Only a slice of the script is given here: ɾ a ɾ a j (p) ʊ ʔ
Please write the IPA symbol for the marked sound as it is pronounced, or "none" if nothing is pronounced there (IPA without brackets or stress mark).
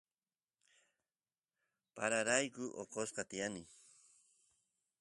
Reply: k